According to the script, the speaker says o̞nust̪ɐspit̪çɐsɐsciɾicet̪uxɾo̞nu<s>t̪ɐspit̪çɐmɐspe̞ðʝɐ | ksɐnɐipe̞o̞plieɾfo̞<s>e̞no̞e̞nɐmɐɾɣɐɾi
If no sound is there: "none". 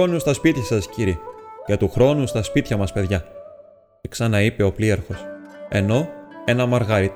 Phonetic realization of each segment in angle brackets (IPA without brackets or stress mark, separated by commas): s, s